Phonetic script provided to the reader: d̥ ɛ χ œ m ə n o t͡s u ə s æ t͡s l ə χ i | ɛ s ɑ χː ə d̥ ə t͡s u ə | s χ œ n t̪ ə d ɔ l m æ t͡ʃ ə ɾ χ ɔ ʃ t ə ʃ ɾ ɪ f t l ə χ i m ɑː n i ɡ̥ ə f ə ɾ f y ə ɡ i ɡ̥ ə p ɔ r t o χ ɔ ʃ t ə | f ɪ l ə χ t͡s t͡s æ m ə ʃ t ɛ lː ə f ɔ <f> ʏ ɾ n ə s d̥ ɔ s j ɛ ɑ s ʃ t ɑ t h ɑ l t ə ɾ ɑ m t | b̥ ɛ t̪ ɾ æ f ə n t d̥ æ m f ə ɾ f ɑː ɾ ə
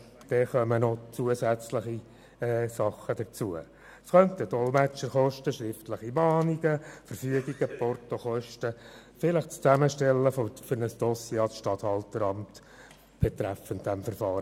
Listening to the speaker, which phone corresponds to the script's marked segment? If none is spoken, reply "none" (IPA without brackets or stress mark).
f